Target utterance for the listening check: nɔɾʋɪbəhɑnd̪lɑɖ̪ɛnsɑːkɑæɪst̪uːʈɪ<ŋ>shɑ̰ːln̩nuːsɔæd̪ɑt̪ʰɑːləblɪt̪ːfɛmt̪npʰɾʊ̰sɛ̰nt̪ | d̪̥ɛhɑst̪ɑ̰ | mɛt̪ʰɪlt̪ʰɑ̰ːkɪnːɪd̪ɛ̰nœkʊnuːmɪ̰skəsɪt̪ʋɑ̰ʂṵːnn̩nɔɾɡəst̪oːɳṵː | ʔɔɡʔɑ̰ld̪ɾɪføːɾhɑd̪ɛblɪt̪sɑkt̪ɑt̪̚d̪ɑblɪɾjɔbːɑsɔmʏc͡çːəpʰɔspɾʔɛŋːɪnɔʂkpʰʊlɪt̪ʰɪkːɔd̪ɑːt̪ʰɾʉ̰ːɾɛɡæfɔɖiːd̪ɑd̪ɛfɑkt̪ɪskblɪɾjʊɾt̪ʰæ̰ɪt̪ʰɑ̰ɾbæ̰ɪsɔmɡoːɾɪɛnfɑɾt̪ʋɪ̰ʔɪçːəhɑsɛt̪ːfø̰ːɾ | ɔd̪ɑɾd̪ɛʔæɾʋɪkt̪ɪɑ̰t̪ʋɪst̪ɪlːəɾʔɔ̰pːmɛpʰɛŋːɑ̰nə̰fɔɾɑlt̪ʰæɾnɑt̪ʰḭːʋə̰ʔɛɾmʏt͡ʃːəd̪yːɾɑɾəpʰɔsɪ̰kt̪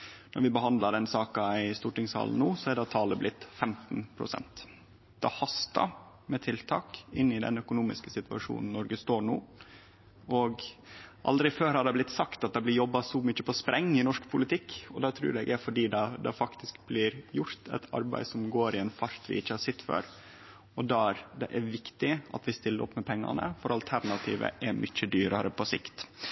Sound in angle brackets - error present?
no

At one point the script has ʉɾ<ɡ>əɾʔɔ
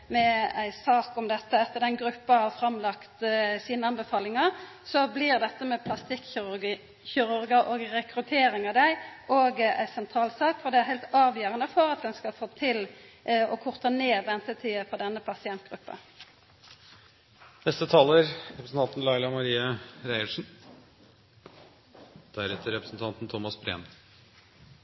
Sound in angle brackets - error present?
no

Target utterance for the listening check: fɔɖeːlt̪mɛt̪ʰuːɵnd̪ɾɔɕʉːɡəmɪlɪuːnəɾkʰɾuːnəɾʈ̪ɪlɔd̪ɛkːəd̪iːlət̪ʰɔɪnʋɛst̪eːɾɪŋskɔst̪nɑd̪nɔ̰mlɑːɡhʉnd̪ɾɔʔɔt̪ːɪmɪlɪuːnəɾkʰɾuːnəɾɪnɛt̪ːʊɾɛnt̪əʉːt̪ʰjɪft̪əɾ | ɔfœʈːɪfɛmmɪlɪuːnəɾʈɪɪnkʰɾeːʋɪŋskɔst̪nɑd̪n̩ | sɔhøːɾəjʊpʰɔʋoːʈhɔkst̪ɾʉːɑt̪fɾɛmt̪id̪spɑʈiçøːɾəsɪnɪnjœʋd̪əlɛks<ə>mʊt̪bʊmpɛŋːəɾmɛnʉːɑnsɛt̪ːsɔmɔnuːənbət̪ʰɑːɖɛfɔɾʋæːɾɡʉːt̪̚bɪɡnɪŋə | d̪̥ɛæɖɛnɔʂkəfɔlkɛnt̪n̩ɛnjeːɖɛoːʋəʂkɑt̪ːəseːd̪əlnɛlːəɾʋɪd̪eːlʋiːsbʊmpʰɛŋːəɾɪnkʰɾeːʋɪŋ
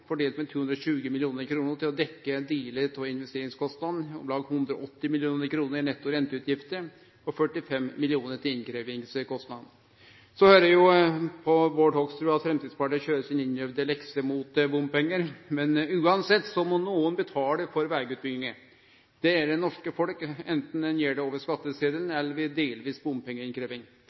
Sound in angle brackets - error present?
no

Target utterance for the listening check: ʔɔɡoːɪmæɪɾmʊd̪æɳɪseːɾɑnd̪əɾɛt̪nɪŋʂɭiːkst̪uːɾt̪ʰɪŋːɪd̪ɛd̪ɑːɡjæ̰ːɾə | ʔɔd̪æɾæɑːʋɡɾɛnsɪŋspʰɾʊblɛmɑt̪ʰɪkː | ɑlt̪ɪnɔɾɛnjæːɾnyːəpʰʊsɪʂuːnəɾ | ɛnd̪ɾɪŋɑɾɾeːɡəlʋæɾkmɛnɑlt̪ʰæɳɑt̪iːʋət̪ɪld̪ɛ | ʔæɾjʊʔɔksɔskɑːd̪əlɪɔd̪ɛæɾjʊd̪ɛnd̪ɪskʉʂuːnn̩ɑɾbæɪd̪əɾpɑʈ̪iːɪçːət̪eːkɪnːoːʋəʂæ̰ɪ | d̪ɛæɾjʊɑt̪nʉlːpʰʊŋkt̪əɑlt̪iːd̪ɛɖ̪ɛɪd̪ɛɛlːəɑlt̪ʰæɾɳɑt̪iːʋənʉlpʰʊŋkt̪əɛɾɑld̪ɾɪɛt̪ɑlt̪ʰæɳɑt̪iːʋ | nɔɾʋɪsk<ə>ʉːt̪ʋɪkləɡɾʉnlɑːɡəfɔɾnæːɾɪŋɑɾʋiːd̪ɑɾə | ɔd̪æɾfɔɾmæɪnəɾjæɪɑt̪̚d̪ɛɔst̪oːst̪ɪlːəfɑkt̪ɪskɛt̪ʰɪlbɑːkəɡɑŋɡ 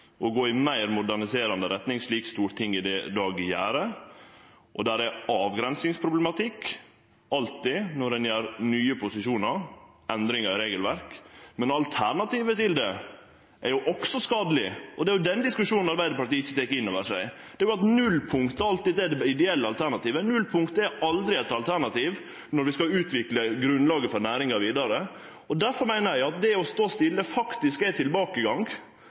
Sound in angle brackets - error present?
yes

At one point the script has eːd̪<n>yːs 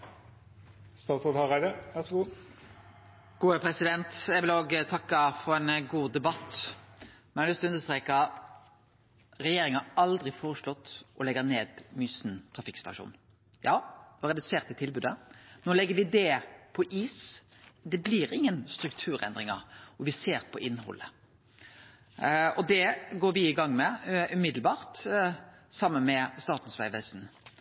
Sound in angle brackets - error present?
yes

